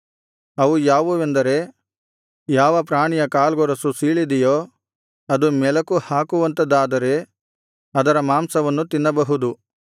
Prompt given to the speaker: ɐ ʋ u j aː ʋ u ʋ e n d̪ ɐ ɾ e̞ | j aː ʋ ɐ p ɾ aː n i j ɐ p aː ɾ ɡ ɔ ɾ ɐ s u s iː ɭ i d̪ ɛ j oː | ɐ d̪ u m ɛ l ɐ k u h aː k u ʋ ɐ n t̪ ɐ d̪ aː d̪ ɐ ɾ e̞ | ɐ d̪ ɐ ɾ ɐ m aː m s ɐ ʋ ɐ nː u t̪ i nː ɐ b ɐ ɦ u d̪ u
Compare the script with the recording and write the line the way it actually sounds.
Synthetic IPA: ɐ ʋ u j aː ʋ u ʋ e n d̪ ɐ ɾ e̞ | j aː ʋ ɐ p ɾ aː ɳ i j ɐ k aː l ɡ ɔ ɾ ɐ s u s iː ɭ i d̪ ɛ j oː | ɐ d̪ u m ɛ l ɐ k u h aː k u ʋ ɐ n t̪ ɐ d̪ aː d̪ ɐ ɾ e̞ | ɐ d̪ ɐ ɾ ɐ m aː m s ɐ ʋ ɐ nː u t̪ i nː ɐ b ɐ ɦ u d̪ u